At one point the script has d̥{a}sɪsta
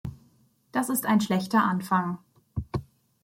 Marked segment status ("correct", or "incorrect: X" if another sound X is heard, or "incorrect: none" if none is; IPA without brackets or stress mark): correct